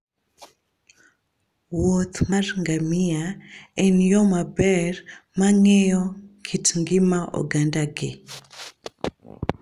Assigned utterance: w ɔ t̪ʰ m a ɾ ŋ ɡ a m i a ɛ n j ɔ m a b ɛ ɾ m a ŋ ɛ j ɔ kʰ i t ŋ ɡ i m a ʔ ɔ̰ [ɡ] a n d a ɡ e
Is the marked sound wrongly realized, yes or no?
no